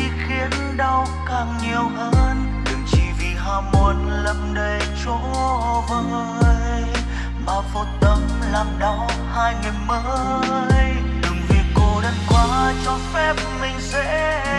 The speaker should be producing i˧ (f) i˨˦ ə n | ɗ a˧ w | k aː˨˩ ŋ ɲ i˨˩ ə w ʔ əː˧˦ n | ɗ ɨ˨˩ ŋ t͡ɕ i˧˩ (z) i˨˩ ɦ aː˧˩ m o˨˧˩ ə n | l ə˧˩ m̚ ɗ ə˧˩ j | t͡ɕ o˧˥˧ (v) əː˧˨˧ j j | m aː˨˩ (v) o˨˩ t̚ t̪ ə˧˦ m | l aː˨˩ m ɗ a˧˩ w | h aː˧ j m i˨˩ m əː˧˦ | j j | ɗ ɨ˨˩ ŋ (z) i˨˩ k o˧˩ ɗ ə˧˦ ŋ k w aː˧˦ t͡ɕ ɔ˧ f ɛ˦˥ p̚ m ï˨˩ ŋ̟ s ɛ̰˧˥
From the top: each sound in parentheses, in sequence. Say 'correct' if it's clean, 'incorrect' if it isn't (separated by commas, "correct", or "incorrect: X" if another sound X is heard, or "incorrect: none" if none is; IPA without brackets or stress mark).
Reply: incorrect: x, incorrect: v, correct, correct, incorrect: v